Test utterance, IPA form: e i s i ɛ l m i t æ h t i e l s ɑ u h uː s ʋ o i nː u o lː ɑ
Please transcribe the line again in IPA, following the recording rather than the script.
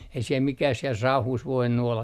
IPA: e i s i e l m i k æ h s i e l s ɑ u h uː s ʋ o i nː u o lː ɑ